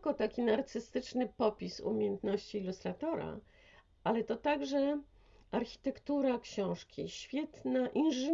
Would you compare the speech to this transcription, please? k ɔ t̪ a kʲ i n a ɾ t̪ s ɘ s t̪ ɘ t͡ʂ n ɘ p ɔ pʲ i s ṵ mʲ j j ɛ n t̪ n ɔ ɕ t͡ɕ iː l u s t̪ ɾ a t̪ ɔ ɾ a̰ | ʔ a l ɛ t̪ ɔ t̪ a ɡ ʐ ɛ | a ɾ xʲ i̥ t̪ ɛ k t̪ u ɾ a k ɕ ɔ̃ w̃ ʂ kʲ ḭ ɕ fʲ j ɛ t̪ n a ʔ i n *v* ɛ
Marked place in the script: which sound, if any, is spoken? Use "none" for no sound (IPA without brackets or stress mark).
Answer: ʐ